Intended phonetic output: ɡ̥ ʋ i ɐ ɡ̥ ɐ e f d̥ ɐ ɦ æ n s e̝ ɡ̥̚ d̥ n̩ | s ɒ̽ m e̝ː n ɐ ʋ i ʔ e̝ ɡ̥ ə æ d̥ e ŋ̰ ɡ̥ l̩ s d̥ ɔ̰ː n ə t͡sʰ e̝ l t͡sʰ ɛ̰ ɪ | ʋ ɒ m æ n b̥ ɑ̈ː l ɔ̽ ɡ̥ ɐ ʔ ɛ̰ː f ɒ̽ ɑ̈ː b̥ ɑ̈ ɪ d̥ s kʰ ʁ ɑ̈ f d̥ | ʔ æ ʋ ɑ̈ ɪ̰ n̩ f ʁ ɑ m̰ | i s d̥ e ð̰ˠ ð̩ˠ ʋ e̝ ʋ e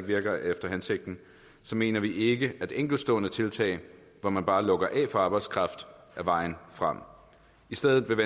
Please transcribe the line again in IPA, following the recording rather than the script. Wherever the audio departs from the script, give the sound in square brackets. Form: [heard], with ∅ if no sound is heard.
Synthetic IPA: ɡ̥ ʋ i ɐ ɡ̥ ɐ e f d̥ ɐ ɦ æ n s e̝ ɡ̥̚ d̥ n̩ | s ɒ̽ m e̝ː n ɐ ʋ i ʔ e̝ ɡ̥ ə æ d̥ e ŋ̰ ɡ̥ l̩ s d̥ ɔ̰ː n ə t͡sʰ e̝ l t͡sʰ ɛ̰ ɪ | ʋ ɒ m æ n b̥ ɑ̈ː l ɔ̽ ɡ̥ ɐ ʔ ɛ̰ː f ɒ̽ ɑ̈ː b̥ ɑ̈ ɪ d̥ s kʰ ʁ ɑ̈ f d̥ | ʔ æ ʋ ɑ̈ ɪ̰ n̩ f ʁ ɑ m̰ | i s d̥ e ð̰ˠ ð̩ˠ ʋ e̝ ʋ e